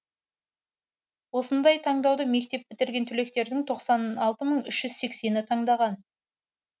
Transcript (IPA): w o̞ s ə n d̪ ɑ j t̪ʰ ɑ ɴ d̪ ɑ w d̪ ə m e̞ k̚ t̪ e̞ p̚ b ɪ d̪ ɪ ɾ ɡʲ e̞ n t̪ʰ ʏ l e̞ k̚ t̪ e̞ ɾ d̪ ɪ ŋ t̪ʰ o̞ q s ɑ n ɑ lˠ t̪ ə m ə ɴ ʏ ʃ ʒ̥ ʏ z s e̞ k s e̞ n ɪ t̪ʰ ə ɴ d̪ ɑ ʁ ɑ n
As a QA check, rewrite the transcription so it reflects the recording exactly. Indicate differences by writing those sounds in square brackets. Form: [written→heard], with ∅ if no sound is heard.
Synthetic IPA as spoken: w o̞ s ə n d̪ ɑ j t̪ʰ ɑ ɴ d̪ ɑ w d̪ ə m e̞ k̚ t̪ e̞ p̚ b ɪ [d̪→t̪] ɪ ɾ ɡʲ e̞ n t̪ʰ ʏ l e̞ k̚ t̪ e̞ ɾ d̪ ɪ ŋ t̪ʰ o̞ q s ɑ n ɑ lˠ t̪ ə m ə ɴ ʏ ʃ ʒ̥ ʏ z s e̞ k s e̞ n ɪ t̪ʰ [ə→ɑ] ɴ d̪ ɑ ʁ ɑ n